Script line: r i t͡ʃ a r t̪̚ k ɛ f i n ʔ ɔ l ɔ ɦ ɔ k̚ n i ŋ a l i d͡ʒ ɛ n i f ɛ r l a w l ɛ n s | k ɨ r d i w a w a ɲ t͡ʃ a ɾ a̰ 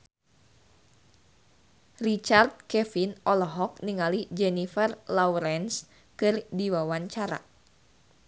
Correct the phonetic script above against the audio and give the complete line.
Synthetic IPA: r i t͡ʃ a r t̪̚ k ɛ f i n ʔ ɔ l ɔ ɦ ɔ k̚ n i ŋ a l i d͡ʒ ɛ n i f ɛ r l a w ɾ ɛ n s | k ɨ r d i w a w a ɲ t͡ʃ a ɾ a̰